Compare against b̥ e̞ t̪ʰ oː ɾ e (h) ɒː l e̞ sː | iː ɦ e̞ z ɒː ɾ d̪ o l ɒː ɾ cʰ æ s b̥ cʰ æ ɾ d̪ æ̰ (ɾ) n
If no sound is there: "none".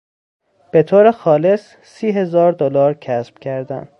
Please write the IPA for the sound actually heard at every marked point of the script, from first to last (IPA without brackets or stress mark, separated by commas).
x, none